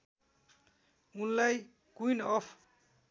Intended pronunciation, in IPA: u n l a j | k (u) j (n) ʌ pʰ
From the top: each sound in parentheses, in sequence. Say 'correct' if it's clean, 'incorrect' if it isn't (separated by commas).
correct, correct